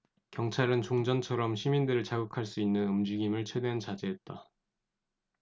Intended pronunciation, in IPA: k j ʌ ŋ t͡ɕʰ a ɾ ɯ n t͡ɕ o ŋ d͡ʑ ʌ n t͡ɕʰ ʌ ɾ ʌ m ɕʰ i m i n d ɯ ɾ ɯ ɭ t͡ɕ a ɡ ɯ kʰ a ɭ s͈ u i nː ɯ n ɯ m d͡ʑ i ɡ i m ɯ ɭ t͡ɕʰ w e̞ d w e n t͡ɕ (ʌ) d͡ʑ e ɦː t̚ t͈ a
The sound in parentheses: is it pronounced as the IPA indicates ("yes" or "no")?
no